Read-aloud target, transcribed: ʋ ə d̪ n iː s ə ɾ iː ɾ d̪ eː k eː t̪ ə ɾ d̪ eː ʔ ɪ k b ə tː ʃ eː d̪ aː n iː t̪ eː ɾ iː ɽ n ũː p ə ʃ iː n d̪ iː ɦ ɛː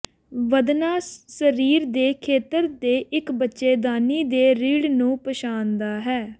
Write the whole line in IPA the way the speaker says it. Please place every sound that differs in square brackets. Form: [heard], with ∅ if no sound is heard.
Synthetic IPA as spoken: ʋ ə d̪ n [aː] s ə ɾ iː ɾ d̪ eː [kʰ] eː t̪ ə ɾ d̪ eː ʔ ɪ k b ə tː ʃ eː d̪ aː n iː [d̪] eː ɾ iː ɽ n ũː p ə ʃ [aː] n d̪ [aː] ɦ ɛː